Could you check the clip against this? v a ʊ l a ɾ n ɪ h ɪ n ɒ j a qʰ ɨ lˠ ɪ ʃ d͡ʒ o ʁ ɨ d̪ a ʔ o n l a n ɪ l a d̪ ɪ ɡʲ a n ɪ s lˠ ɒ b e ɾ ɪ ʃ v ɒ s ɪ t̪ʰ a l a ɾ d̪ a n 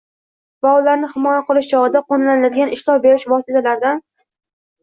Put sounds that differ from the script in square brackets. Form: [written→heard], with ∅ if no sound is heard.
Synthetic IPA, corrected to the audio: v a ʊ l a ɾ n ɪ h ɪ [n→m] ɒ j a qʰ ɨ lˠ ɪ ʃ d͡ʒ [o→ɒ] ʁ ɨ d̪ a [ʔ→q] o n l a n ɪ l a d̪ ɪ ɡʲ a n ɪ [s→ʃ] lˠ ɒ b e ɾ ɪ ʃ v ɒ s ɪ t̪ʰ a l a ɾ d̪ a n